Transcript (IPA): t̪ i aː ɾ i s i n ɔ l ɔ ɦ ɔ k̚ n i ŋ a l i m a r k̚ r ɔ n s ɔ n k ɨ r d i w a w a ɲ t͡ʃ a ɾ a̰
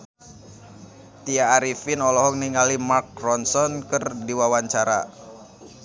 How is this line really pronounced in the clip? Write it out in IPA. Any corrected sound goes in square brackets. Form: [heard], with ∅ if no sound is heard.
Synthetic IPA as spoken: t̪ i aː ɾ i [f] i n ɔ l ɔ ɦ ɔ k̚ n i ŋ a l i m a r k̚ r ɔ n s ɔ n k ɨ r d i w a w a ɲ t͡ʃ a ɾ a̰

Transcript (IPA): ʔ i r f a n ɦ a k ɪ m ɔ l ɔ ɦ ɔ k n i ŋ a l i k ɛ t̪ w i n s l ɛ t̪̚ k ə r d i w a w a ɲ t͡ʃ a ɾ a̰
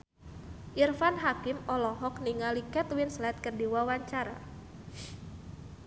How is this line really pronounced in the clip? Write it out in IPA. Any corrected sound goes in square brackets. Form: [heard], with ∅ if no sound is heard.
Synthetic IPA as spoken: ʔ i r f a n ɦ a k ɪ m ɔ l ɔ ɦ ɔ k n i ŋ a l i k ɛ t̪ w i n s l ɛ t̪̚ k ə r d i w a w a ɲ t͡ʃ a ɾ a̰

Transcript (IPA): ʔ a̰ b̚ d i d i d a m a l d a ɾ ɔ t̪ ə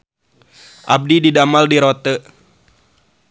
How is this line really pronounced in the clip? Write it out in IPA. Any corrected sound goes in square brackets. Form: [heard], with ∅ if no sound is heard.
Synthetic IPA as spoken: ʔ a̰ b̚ d i d i d a m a l d [i] ɾ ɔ t̪ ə

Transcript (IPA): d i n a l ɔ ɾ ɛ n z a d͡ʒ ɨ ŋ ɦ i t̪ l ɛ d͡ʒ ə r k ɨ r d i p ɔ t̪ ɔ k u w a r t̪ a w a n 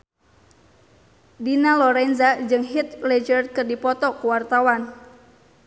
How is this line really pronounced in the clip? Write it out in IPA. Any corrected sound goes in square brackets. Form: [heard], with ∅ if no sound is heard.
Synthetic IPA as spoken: d i n a l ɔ ɾ ɛ n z a d͡ʒ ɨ ŋ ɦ i t̪ l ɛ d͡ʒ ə r k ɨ r d i p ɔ t̪ ɔ k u w a r t̪ a w a n

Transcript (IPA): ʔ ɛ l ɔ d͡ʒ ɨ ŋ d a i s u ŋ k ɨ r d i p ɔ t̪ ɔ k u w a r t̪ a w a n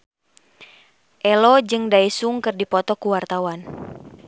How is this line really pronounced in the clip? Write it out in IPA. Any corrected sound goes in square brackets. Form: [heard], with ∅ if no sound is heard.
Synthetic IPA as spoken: ʔ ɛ l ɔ d͡ʒ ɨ ŋ d a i s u ŋ k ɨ r d i p ɔ t̪ ɔ k u w a r t̪ a w a n

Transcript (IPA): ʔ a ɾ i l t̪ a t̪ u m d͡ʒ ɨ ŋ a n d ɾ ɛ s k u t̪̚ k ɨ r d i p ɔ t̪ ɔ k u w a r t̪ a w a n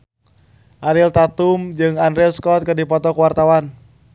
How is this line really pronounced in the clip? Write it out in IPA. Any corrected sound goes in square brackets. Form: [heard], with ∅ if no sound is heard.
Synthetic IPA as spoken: ʔ a ɾ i l t̪ a t̪ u m d͡ʒ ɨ ŋ a n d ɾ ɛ s k [ɔ] t̪̚ k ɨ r d i p ɔ t̪ ɔ k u w a r t̪ a w a n

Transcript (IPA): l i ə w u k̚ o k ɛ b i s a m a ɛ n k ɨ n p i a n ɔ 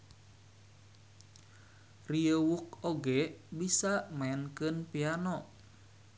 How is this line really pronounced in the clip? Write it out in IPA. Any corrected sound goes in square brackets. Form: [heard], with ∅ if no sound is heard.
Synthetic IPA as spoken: [r] i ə w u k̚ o [ɡ] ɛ b i s a m a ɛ n k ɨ n p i a n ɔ

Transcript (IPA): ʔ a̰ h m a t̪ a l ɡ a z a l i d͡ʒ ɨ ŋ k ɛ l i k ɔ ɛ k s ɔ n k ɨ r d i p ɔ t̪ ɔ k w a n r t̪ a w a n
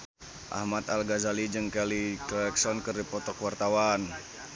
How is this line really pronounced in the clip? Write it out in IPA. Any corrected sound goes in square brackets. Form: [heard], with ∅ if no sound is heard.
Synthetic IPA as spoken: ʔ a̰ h m a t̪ a l ɡ a z a l i d͡ʒ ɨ ŋ k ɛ l i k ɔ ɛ k s ɔ n k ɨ r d i p ɔ t̪ ɔ k w a [∅] r t̪ a w a n

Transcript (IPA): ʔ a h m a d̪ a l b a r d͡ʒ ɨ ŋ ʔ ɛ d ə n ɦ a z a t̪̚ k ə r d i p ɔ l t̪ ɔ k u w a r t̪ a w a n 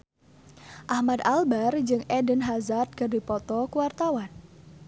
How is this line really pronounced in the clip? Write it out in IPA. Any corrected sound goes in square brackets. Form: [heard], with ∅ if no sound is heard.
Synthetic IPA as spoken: ʔ a h m a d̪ a l b a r d͡ʒ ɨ ŋ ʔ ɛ d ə n ɦ a z a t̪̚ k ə r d i p ɔ [∅] t̪ ɔ k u w a r t̪ a w a n

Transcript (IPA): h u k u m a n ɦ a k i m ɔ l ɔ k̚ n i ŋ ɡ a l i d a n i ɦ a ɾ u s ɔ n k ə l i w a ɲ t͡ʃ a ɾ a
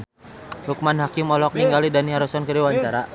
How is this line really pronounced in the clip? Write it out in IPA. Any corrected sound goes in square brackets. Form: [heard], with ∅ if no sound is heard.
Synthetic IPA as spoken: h u k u m a n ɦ a k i m ɔ l ɔ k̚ n i ŋ ɡ a l i d a n i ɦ a ɾ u s ɔ n k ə [ɾ] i w a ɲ t͡ʃ a ɾ a

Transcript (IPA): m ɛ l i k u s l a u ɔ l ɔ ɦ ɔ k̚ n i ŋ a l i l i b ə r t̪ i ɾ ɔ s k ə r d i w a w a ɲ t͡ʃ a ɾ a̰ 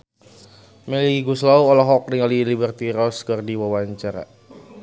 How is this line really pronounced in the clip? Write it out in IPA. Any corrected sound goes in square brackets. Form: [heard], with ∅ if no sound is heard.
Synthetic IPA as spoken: m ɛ l i [ɡ] u s l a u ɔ l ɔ ɦ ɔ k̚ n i ŋ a l i l i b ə r t̪ i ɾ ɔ s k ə r d i w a w a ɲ t͡ʃ a ɾ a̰

